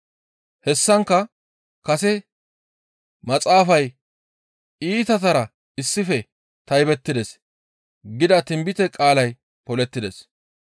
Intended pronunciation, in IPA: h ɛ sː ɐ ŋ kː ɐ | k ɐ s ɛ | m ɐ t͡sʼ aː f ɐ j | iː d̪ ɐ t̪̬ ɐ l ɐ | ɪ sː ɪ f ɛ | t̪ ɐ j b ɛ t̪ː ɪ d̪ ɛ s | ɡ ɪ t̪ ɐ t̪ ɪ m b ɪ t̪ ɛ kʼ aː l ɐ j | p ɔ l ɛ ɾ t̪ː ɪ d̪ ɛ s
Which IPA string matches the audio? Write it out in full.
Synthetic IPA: h ɛ sː ɐ ŋ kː ɐ | k ɐ s ɛ | m ɐ t͡sʼ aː f ɐ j | iː t̪ ɐ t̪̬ ɐ ɾ ɐ | ɪ sː ɪ f ɛ | t̪ ɐ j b ɛ t̪ː ɪ d̪ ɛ s | ɡ ɪ d̪ ɐ t̪ ɪ m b ɪ t̪ ɛ kʼ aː l ɐ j | p ɔ l ɛ t̪ː ɪ d̪ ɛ s